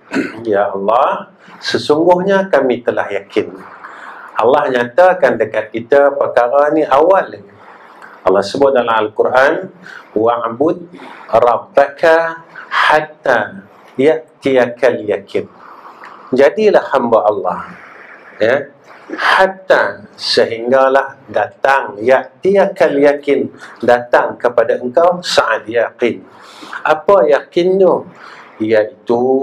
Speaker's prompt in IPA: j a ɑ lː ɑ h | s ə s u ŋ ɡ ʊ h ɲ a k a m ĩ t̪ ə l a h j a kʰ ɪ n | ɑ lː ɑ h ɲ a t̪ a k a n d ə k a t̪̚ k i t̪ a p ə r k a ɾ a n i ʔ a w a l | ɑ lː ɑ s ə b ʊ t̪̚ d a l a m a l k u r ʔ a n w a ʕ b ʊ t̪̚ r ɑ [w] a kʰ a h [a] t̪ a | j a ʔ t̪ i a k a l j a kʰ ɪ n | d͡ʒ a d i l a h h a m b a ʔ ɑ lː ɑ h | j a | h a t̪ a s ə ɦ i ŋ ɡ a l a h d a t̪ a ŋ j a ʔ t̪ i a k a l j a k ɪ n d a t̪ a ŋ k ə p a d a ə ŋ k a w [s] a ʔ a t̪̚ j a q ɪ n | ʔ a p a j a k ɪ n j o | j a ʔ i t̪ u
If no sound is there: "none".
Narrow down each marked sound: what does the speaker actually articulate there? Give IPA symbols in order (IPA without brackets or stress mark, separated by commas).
b, a, s